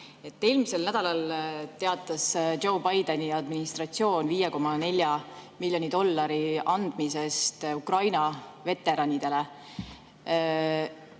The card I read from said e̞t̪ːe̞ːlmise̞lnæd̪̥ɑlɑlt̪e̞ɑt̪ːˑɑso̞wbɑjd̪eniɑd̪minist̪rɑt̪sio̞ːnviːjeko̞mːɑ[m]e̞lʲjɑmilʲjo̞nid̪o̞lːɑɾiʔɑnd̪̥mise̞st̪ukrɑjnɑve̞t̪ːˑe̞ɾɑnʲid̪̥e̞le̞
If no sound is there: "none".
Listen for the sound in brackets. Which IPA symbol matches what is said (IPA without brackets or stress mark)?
n